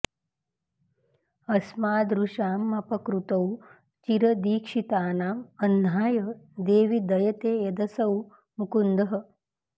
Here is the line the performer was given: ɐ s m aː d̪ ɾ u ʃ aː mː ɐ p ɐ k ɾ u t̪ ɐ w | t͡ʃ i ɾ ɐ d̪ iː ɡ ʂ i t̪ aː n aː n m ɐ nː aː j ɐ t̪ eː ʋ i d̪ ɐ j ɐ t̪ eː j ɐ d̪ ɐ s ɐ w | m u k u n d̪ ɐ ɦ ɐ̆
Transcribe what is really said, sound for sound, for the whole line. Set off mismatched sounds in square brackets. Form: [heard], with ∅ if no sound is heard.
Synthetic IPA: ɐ s m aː d̪ ɾ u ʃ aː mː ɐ p ɐ k ɾ u t̪ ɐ w | t͡ʃ i ɾ ɐ d̪ iː [k] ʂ i t̪ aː n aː [∅] m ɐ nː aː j ɐ [d̪] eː ʋ i d̪ ɐ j ɐ t̪ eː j ɐ d̪ ɐ s ɐ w | m u k u n d̪ ɐ ɦ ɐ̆